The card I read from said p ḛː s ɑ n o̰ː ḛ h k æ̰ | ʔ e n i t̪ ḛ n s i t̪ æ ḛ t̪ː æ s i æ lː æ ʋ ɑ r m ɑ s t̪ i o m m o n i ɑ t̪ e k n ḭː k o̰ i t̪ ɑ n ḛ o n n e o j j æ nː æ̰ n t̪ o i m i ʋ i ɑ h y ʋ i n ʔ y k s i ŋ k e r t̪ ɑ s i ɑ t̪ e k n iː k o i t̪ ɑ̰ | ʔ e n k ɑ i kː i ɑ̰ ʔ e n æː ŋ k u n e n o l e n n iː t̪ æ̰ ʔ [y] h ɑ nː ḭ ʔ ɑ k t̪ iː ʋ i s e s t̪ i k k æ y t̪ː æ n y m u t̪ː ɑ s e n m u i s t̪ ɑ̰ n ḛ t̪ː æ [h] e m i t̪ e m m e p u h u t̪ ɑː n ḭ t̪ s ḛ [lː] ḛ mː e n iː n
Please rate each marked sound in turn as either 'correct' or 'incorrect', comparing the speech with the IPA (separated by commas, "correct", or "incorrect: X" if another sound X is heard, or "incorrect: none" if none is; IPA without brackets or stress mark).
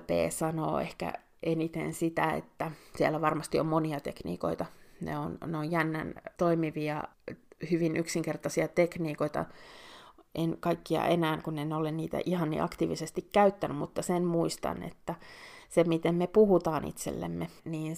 incorrect: i, incorrect: s, correct